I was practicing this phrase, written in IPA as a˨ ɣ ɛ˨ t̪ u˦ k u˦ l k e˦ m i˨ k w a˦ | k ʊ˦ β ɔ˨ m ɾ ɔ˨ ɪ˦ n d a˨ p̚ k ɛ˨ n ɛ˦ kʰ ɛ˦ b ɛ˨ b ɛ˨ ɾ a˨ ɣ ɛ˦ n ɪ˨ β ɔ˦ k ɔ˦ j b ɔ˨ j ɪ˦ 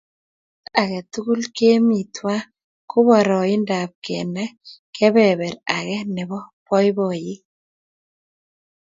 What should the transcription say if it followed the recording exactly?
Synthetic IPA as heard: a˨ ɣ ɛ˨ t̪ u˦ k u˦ l k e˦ m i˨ t w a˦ | k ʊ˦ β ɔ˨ ɾ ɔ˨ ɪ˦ n d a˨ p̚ k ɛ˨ n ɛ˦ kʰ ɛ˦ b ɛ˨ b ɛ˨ ɾ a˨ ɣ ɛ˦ n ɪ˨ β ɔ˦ p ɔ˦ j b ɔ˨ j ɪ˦